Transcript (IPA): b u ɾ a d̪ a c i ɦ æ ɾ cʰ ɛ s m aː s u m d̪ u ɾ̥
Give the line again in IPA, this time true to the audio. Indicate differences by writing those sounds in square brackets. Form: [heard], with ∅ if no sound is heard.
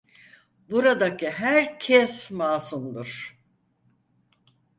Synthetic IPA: b u ɾ a d̪ a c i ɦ æ ɾ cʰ ɛ s m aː s u m d̪ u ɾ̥